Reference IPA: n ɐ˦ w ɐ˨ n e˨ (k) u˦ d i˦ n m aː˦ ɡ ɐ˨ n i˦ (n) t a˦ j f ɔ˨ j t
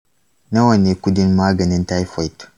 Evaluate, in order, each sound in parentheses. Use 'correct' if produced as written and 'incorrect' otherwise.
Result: correct, correct

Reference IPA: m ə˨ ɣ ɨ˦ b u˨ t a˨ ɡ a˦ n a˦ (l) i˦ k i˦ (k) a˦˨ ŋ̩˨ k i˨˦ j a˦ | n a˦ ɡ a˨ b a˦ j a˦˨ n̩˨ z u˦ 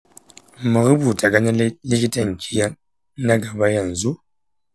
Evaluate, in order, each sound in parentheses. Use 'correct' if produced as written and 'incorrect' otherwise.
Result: correct, incorrect: t

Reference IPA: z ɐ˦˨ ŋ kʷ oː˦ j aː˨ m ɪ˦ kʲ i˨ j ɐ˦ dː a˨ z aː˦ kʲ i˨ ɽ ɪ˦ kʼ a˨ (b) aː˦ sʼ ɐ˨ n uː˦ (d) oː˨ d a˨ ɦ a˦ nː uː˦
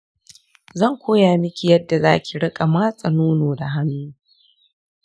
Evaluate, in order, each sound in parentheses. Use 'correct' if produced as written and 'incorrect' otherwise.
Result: incorrect: m, incorrect: n

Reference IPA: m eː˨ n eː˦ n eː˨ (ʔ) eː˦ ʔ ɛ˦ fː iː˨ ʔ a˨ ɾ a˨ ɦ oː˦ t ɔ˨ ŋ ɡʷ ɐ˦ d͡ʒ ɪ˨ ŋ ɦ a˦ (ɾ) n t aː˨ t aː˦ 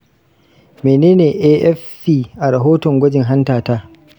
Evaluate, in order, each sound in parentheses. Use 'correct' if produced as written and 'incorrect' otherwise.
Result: correct, incorrect: none

